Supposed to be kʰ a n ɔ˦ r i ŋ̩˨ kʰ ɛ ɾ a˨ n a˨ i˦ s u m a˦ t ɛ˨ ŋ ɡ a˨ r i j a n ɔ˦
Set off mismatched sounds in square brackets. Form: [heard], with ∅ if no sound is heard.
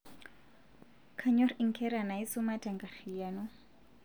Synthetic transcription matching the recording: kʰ a [ɲ] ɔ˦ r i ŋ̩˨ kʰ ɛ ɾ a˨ n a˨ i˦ s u m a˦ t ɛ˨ ŋ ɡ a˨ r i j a n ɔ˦